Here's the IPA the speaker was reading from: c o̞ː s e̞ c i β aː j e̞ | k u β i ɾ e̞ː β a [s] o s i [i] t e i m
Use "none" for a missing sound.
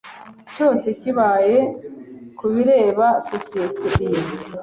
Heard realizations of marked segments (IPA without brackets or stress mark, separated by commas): s, e